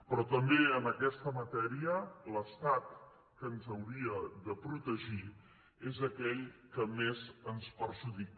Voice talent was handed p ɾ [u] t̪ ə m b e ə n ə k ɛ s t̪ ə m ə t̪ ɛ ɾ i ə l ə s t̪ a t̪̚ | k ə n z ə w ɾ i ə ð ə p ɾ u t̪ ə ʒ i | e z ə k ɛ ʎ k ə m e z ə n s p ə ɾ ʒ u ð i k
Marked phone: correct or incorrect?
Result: incorrect